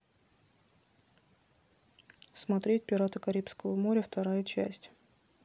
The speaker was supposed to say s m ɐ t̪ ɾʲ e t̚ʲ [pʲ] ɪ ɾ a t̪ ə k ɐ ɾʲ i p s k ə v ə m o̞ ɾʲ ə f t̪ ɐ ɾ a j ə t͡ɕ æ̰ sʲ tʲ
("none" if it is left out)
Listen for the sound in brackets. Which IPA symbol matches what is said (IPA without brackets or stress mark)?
pʲ